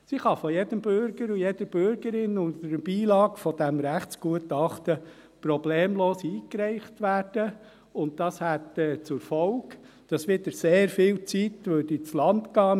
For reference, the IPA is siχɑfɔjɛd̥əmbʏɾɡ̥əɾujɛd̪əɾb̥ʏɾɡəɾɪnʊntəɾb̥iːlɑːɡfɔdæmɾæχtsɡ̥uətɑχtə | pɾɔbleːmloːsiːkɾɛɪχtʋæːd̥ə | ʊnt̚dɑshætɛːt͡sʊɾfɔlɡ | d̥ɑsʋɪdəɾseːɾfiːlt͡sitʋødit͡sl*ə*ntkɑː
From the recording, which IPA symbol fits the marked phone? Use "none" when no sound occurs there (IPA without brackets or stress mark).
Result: ɑ